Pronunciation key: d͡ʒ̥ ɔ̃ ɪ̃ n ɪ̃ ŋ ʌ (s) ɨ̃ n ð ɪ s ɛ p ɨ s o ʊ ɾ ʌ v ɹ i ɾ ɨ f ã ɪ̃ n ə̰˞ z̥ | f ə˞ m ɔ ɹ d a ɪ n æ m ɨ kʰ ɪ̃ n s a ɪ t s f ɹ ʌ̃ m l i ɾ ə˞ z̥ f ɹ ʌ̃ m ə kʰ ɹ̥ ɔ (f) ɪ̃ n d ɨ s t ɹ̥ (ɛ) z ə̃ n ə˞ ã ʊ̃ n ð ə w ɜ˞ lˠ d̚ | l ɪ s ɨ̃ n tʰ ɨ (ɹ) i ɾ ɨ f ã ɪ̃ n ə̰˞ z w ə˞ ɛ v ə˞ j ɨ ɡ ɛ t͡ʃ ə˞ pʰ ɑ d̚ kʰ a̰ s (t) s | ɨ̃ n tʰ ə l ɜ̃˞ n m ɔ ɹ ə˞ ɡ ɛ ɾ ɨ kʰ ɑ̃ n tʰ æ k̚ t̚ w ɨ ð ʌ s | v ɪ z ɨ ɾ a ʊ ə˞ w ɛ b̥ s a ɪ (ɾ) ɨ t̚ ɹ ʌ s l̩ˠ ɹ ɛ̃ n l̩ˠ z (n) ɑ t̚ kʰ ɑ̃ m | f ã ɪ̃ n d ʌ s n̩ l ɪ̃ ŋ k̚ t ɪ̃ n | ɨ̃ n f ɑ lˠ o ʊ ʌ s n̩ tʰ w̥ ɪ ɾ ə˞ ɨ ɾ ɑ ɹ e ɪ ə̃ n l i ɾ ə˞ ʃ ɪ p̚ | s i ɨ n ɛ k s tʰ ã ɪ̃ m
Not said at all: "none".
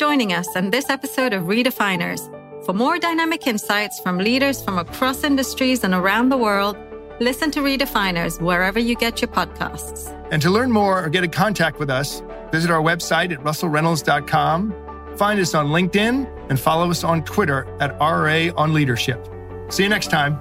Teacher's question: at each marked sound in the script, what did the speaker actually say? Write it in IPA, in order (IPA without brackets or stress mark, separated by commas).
s, s, i, ɹ, t, ɾ, d